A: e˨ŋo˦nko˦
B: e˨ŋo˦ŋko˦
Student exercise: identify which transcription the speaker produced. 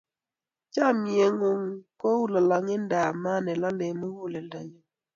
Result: B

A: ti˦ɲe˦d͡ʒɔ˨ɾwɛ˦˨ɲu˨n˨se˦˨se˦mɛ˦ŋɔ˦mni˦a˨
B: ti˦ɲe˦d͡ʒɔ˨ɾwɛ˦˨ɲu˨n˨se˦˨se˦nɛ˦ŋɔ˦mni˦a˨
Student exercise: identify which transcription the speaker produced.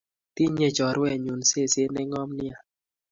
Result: B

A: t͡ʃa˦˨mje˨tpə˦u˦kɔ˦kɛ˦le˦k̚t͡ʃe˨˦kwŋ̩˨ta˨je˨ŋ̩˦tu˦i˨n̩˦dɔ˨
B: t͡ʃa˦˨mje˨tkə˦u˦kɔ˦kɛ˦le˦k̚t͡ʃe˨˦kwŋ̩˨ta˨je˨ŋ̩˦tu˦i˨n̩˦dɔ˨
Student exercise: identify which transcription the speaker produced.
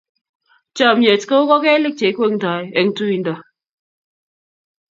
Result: B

